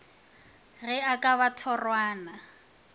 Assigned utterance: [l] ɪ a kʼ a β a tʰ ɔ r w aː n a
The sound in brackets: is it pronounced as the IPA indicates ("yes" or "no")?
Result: no